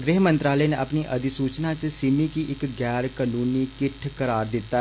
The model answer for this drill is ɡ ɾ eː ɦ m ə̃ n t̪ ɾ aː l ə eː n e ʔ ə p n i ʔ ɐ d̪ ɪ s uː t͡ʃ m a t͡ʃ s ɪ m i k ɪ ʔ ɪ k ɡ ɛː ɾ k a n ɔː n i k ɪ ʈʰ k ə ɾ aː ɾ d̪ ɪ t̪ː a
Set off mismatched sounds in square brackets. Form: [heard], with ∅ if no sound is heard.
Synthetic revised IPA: ɡ ɾ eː ɦ m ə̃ n t̪ ɾ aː l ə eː n e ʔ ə p n i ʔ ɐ d̪ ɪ s uː t͡ʃ [n] a t͡ʃ s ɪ m i k [i] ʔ ɪ k ɡ ɛː ɾ k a n [uː] n i k ɪ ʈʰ k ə ɾ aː ɾ d̪ ɪ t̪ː a